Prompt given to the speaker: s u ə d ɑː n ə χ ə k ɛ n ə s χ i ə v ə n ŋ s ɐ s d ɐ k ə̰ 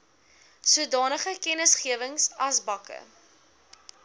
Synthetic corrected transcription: s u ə d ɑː n ə χ ə k ɛ n ə s χ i ə v ə ŋ s ɐ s b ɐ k ə̰

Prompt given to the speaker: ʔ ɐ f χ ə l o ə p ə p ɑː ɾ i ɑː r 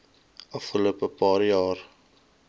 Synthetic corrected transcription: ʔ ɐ f χ ə l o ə p ə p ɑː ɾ j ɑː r

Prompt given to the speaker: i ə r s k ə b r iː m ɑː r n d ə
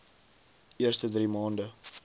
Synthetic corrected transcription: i ə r s t ə d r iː m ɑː n d ə

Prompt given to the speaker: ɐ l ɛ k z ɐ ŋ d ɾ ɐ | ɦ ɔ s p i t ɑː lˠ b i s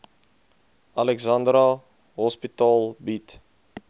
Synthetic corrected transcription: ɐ l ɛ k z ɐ n d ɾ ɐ | ɦ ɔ s p i t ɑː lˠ b i t

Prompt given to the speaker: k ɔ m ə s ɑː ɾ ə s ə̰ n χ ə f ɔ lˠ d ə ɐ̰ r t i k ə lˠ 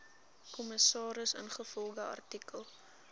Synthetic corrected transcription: k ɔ m ə s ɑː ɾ ə s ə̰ n χ ə f ɔ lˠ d ə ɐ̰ r t i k ə lˠ

